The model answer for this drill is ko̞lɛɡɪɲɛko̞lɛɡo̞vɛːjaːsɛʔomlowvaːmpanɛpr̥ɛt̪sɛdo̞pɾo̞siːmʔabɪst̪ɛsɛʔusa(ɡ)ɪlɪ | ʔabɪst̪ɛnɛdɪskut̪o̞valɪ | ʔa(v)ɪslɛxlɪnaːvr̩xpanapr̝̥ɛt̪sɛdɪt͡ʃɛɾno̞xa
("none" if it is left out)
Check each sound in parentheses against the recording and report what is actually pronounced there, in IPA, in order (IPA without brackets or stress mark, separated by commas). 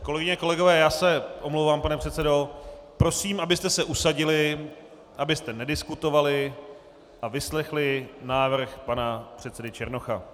ɟ, v